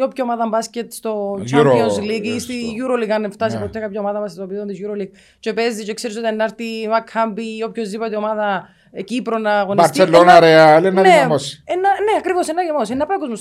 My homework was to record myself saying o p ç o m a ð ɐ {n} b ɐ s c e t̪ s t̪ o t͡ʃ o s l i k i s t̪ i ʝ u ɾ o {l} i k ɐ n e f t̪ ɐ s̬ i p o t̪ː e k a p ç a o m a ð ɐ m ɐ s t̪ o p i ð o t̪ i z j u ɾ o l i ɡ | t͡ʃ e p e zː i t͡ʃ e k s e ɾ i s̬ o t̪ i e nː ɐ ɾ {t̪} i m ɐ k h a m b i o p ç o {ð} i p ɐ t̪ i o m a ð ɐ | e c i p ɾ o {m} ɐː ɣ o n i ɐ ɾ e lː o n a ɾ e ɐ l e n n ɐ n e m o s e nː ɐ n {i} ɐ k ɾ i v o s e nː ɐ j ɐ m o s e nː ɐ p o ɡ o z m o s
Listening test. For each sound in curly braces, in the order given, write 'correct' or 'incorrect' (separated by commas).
incorrect, correct, correct, incorrect, incorrect, incorrect